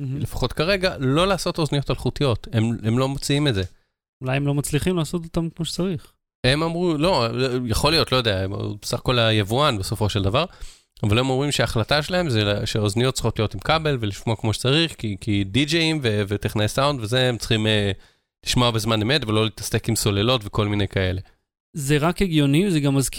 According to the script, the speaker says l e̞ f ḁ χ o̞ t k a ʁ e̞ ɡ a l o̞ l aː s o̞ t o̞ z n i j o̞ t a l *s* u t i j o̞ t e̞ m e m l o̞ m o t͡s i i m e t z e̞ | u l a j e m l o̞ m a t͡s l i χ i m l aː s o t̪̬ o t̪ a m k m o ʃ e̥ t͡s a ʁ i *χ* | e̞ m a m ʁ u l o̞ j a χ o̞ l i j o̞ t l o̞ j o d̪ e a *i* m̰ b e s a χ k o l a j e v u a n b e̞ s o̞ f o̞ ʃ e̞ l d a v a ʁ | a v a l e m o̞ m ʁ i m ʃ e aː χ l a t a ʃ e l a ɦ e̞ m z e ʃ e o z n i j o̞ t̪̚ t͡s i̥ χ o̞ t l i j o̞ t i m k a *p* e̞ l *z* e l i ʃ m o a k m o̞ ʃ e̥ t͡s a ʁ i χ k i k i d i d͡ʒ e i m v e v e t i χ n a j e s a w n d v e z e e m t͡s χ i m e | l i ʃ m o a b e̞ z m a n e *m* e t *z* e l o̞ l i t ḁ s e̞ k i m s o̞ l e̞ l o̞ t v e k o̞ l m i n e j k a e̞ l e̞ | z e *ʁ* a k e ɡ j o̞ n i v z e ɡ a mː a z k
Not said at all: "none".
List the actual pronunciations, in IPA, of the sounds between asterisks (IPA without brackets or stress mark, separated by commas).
χ, χ, e, b, v, m, v, ʁ